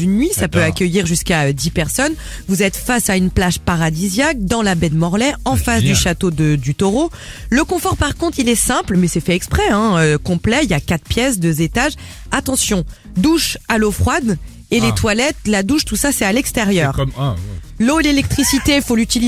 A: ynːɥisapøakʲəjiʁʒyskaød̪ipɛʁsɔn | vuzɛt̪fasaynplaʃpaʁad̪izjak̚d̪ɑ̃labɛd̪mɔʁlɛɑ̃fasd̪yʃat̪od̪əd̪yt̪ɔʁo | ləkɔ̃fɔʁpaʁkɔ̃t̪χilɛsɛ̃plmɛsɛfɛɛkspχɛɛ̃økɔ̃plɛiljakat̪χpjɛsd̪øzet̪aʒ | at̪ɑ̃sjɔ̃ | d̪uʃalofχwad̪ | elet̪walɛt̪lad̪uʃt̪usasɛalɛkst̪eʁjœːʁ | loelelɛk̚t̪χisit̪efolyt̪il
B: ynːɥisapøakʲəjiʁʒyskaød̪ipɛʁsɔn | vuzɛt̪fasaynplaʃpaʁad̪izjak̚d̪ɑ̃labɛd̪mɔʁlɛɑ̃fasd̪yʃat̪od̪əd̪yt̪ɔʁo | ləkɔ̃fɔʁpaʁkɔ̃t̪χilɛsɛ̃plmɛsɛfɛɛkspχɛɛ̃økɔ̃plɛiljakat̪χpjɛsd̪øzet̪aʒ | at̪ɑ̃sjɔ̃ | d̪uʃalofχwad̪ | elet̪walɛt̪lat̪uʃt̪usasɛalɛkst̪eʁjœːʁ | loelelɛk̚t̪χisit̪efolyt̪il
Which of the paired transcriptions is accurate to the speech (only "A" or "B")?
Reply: A